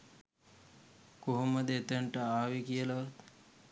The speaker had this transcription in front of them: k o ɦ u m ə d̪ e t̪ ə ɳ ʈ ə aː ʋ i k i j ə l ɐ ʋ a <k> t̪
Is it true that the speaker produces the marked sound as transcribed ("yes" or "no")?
no